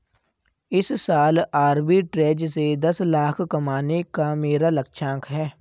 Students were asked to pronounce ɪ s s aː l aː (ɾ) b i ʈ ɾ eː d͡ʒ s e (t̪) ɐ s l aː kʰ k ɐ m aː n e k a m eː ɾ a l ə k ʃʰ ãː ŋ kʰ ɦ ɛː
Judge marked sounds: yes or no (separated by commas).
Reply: yes, no